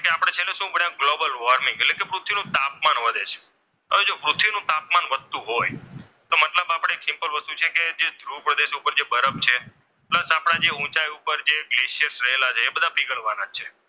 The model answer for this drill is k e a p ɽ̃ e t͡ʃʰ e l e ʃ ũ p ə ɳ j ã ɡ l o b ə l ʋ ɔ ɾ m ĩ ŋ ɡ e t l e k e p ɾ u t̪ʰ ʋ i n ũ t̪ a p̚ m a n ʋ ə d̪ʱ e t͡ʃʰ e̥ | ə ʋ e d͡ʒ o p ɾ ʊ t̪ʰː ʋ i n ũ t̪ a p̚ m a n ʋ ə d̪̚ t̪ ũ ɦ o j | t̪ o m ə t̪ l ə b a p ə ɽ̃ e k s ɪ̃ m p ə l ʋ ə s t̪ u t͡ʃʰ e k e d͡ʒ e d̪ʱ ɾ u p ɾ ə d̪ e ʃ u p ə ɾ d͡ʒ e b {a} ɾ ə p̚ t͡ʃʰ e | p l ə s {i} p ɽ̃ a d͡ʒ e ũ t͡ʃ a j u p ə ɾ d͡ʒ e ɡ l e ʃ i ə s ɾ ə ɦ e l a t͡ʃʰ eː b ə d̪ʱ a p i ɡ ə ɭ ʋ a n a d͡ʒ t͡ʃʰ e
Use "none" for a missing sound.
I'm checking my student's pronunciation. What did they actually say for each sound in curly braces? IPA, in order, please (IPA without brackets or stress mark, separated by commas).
ə, a